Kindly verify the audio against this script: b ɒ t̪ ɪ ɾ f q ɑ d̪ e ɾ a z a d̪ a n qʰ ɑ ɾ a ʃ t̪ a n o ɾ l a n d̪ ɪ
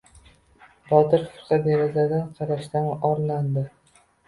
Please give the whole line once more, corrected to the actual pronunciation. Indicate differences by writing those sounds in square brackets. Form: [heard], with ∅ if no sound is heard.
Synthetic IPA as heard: b ɒ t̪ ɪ ɾ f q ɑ d̪ e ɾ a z a d̪ a n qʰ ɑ ɾ a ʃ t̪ a n [ɒ] ɾ l a n d̪ ɪ